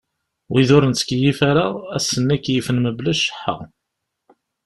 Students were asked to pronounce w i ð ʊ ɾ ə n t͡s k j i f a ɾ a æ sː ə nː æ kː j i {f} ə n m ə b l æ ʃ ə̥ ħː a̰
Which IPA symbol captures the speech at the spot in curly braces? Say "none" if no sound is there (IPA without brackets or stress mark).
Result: f